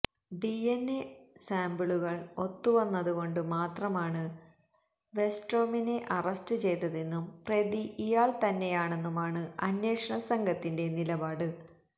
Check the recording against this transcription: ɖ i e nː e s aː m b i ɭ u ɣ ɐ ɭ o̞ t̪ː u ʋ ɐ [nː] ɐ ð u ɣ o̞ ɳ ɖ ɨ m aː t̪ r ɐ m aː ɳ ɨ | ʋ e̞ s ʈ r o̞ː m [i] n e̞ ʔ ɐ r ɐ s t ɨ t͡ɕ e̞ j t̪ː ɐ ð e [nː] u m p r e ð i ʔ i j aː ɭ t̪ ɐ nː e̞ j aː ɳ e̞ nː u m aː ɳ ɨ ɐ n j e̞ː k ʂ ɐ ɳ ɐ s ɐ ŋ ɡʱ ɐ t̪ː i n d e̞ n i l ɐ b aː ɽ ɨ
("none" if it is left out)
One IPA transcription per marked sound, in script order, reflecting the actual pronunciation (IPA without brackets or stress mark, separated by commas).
nː, i, nː